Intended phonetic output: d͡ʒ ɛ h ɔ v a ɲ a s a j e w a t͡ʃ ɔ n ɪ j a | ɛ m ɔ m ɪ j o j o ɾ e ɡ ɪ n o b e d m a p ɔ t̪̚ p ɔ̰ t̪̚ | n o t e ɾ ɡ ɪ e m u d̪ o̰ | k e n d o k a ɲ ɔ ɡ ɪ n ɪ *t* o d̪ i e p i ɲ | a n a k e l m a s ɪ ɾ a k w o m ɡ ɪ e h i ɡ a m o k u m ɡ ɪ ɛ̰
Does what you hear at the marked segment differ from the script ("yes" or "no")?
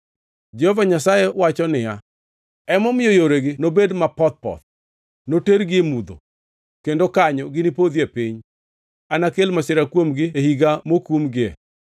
yes